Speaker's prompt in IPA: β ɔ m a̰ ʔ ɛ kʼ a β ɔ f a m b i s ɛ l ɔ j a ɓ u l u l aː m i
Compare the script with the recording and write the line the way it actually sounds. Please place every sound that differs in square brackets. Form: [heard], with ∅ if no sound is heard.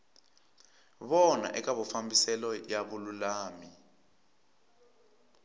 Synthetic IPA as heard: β ɔ [n] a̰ ʔ ɛ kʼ a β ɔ f a m b i s ɛ l ɔ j a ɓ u l u l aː m i